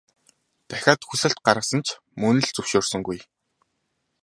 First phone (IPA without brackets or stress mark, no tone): t̪